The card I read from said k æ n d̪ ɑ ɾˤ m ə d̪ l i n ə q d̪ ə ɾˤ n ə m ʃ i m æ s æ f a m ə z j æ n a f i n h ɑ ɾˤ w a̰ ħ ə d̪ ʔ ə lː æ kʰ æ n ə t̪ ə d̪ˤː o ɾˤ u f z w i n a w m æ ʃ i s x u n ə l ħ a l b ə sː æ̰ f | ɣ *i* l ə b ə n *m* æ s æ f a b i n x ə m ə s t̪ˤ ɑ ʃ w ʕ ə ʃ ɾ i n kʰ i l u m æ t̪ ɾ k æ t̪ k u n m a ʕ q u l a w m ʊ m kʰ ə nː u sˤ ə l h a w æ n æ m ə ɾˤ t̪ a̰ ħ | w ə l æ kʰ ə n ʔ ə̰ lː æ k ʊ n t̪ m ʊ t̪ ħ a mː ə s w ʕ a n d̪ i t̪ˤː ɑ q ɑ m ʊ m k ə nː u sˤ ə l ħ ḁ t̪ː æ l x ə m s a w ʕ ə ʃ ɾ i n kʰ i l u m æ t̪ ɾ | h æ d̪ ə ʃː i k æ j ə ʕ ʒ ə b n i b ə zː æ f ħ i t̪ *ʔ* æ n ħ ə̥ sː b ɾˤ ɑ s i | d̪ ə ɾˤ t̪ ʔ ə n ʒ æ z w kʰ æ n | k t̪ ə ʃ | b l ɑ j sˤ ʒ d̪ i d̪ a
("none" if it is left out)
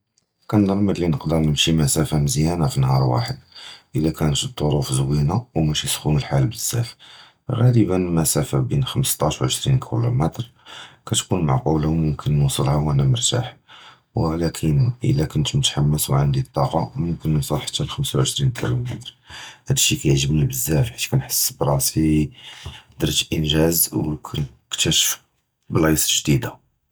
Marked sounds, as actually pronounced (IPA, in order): æ, m, k

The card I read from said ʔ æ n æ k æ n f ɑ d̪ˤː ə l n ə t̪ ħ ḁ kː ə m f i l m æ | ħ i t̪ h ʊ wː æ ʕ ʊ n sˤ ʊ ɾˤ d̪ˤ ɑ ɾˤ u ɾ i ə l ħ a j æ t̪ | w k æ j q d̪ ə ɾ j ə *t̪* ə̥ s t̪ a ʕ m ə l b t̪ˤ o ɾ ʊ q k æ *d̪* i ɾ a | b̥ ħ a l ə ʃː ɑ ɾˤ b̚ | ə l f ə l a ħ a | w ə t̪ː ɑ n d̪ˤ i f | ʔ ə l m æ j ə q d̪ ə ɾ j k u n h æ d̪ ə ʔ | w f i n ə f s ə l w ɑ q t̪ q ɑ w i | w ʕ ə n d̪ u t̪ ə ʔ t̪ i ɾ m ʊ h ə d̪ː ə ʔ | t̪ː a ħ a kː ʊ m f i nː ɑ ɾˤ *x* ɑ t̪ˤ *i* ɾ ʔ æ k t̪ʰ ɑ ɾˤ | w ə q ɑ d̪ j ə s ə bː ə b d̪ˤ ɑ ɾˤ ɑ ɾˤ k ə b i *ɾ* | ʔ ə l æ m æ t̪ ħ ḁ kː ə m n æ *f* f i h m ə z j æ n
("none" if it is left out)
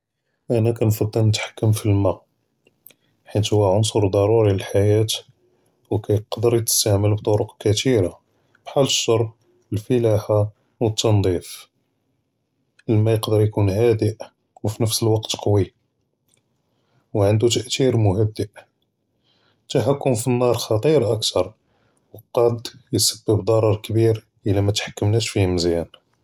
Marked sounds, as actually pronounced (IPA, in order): t̪, t̪, x, i, ɾ, ʃ

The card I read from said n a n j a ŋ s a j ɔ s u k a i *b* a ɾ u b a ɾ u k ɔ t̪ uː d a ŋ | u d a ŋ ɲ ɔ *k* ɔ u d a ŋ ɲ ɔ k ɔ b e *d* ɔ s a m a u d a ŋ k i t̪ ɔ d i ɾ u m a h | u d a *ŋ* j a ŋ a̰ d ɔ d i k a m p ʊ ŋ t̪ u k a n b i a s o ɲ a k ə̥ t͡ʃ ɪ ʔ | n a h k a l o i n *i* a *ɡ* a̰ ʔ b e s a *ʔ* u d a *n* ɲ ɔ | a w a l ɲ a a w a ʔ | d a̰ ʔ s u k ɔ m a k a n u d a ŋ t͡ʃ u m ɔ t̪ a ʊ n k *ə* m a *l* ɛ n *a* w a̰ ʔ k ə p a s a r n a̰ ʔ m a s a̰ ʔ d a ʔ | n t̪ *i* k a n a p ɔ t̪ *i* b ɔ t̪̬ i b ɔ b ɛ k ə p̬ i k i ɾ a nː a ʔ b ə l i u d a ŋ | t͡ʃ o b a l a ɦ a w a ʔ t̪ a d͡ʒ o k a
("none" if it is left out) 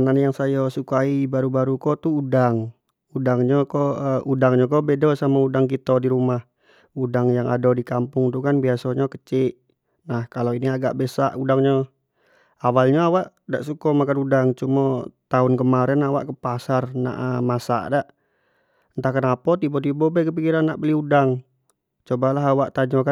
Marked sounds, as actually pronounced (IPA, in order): b, k, d, ŋ, i, ɡ, ʔ, ŋ, ə, ɾ, a, a, i

